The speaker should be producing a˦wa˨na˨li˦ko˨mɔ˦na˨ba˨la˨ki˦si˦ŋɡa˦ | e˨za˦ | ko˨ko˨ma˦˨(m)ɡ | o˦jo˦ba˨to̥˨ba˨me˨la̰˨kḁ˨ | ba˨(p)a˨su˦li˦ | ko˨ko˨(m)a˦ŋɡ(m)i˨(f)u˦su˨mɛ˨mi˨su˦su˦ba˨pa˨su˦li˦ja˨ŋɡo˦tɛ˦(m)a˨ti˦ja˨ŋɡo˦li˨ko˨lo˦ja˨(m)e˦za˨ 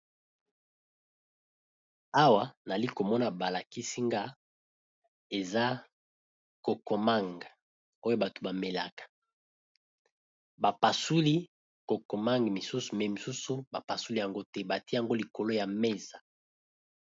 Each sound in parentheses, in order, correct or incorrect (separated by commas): incorrect, correct, correct, correct, incorrect, incorrect, correct